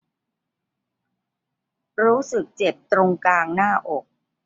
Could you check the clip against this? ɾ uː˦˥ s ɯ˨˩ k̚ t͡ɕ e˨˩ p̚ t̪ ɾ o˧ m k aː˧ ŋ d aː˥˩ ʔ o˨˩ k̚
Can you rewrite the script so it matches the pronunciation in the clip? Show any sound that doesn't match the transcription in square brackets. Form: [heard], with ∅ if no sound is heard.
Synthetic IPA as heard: ɾ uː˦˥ s ɯ˨˩ k̚ t͡ɕ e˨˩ p̚ t̪ ɾ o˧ [ŋ] k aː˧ ŋ [n] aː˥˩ ʔ o˨˩ k̚